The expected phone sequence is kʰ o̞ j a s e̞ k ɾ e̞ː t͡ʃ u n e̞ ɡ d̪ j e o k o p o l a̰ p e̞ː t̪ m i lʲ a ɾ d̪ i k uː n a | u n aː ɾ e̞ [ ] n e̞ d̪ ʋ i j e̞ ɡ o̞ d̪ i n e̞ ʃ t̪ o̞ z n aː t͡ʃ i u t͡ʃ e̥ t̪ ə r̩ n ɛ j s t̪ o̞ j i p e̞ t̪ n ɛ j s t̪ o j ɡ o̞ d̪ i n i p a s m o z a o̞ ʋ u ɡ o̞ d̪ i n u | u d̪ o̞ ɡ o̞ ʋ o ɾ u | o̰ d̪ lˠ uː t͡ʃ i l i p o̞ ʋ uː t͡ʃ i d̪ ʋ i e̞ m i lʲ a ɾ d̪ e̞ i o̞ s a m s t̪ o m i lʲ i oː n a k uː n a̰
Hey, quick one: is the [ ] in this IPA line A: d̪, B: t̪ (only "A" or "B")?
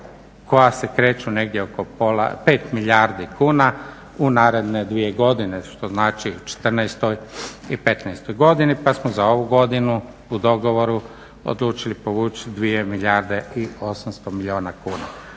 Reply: A